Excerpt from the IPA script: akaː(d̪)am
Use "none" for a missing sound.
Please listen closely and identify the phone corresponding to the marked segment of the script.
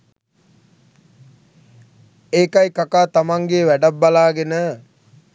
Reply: t̪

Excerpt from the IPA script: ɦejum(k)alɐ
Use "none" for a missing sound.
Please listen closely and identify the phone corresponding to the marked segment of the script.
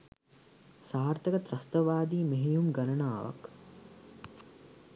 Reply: ɡ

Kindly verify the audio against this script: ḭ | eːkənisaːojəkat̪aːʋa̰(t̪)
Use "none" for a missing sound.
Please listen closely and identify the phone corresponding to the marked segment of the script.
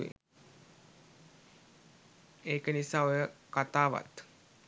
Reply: t̪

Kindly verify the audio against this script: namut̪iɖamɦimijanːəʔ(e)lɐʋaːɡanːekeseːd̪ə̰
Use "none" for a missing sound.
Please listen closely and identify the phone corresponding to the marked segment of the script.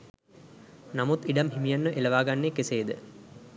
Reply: e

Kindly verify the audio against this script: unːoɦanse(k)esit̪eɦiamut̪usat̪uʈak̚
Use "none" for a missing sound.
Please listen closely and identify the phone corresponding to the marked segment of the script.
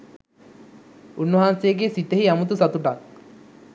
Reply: ɡ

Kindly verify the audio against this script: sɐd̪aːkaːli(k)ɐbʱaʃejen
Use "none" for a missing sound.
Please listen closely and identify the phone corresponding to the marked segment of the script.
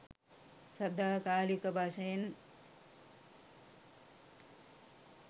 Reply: k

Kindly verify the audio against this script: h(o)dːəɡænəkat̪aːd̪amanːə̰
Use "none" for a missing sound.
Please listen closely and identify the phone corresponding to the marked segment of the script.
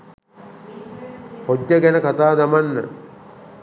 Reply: o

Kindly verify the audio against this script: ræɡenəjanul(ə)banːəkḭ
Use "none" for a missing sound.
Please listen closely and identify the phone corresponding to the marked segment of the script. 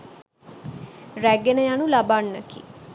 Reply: a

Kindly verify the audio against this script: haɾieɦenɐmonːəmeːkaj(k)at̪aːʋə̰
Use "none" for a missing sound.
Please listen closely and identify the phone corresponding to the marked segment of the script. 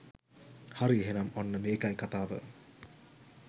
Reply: k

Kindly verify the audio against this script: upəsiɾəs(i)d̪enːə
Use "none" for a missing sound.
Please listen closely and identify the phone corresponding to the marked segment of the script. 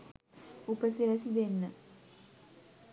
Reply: i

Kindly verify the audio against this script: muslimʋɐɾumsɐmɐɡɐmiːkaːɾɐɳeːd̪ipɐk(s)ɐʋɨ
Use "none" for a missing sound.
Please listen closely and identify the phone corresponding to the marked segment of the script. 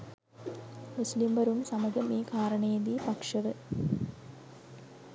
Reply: ʂ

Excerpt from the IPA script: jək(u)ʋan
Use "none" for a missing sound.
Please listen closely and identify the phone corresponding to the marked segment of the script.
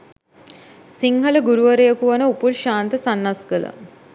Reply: u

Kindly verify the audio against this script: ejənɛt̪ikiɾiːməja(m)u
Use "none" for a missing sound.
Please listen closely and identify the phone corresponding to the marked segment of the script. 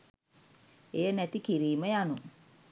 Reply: n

